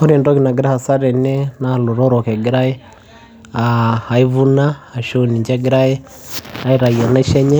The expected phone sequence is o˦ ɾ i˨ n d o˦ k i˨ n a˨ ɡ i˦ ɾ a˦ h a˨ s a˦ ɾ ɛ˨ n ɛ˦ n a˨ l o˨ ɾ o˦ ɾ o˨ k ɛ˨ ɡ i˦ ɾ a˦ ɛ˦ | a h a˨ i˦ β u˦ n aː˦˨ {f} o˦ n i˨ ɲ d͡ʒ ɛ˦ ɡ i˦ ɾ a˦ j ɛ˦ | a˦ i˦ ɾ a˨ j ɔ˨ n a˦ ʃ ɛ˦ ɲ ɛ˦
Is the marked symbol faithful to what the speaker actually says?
no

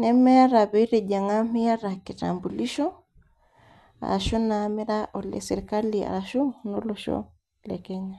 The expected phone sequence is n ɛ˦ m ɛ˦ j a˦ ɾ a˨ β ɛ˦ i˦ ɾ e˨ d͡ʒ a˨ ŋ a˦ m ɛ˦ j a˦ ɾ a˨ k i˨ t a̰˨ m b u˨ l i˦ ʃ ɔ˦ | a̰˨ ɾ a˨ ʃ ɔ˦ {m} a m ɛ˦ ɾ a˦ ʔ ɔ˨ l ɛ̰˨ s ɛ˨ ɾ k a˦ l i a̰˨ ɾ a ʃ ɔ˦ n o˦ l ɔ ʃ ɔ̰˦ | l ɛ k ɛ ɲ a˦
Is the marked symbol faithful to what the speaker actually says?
no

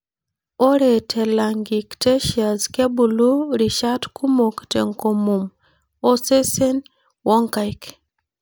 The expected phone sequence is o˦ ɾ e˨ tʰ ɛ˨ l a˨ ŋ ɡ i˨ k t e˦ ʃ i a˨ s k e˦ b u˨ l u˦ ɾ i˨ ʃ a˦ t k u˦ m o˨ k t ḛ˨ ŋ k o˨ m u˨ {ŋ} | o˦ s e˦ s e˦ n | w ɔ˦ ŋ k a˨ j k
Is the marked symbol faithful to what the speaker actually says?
no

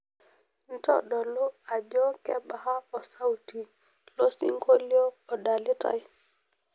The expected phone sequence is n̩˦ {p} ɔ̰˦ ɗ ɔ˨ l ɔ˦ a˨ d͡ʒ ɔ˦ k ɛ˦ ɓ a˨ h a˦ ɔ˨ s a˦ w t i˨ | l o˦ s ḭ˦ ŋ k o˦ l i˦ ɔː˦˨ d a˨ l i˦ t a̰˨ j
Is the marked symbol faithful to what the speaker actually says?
no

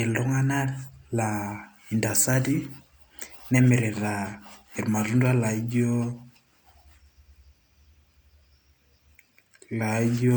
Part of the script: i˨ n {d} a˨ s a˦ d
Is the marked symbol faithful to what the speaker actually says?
yes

